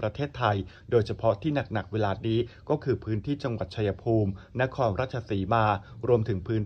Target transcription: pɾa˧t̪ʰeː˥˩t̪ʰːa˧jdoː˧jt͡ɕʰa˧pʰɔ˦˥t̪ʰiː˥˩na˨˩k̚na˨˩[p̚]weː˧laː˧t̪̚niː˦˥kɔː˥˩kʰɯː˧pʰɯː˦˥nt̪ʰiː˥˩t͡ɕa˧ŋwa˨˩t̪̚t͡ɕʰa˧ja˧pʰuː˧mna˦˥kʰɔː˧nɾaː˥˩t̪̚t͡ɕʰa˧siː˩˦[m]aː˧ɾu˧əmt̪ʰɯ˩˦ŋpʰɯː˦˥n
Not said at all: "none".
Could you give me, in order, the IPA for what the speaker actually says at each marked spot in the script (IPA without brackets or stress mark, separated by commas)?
k̚, m